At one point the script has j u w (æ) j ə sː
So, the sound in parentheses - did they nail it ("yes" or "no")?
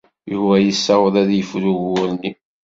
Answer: yes